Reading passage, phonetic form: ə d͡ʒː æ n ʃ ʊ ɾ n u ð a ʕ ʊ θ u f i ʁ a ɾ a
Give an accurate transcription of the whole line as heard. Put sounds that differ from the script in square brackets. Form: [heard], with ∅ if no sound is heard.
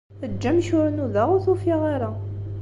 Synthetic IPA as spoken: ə d͡ʒː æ [m] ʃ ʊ ɾ n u ð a [ʁ] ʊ θ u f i ʁ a ɾ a